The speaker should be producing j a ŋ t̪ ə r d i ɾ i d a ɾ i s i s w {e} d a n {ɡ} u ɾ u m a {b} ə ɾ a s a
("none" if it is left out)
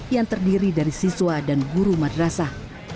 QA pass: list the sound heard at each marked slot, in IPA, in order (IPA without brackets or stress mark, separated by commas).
a, ɡ, d